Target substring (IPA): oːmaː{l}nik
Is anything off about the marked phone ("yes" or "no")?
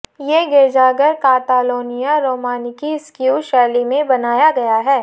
yes